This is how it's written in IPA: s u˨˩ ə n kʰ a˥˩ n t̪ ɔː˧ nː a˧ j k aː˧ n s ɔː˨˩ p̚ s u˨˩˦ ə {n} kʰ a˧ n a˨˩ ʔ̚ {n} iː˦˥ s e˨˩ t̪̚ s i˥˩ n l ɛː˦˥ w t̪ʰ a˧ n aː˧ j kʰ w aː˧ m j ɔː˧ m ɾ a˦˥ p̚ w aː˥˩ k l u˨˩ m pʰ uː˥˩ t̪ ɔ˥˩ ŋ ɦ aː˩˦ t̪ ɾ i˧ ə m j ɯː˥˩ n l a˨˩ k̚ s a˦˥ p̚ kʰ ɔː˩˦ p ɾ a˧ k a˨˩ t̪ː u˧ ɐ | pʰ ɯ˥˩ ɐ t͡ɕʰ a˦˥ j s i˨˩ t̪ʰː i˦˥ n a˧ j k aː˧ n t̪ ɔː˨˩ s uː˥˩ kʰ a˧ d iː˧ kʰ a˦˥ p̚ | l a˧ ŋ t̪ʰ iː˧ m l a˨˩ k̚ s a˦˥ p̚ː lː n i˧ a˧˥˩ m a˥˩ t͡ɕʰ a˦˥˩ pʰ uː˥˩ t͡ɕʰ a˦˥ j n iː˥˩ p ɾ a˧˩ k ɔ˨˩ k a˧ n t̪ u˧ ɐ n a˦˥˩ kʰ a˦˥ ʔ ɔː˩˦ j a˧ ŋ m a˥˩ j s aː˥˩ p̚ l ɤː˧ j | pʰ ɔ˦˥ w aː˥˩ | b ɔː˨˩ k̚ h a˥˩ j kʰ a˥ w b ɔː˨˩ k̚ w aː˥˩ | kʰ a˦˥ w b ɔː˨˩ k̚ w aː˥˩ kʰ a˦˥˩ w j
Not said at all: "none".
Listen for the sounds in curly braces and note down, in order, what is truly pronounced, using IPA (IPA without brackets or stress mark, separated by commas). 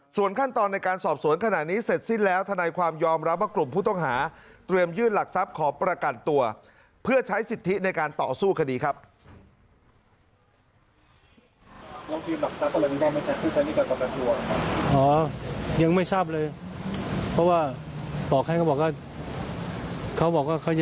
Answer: n, n